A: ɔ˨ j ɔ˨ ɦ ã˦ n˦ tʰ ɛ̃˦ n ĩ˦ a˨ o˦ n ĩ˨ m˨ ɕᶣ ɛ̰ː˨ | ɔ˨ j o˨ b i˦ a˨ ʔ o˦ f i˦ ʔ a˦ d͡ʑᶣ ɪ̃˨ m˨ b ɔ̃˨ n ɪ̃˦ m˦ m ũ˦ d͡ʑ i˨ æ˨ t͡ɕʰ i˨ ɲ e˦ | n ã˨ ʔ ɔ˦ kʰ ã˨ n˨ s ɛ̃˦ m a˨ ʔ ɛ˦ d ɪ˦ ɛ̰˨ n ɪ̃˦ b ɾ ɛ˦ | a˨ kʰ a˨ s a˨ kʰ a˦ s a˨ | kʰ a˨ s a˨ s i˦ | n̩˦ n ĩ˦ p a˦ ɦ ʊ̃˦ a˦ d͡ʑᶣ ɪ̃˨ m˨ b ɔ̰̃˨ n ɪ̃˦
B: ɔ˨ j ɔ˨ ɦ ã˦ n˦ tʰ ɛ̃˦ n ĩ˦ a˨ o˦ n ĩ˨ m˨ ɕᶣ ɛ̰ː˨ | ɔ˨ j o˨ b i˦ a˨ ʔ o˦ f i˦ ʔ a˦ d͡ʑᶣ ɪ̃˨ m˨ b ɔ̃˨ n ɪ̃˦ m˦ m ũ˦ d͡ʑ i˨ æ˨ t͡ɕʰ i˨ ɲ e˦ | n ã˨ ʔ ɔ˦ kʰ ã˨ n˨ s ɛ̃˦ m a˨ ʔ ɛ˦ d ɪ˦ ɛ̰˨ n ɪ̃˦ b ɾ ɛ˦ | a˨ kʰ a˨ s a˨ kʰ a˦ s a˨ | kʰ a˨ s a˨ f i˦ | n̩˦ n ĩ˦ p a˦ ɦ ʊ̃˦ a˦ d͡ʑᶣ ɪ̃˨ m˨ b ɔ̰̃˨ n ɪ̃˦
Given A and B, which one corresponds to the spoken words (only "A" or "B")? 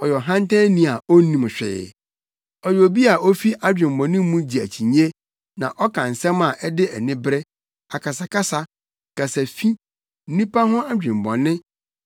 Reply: B